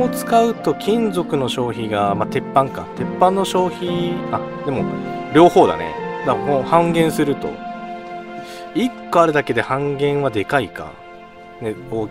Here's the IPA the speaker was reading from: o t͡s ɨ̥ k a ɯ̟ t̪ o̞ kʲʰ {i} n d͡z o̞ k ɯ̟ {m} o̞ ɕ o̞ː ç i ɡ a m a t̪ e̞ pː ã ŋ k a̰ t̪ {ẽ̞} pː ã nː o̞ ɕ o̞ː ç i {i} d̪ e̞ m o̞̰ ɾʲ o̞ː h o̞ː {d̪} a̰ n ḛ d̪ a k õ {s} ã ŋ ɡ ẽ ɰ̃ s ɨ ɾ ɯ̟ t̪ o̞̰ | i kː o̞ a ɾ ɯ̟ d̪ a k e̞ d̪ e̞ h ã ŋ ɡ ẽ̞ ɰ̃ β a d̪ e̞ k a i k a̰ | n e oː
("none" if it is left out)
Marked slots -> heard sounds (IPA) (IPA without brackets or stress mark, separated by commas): ĩ, n, e̞, a, d̪, h